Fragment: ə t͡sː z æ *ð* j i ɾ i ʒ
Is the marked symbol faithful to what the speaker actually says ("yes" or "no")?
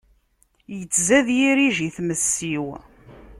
yes